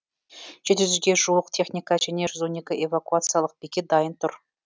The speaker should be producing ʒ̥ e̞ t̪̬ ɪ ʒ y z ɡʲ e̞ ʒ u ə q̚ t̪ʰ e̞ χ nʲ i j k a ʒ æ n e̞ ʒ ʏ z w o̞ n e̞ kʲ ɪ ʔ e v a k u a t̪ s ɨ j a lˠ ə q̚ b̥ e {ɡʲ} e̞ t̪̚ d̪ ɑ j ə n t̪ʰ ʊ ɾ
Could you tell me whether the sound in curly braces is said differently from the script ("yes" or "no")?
yes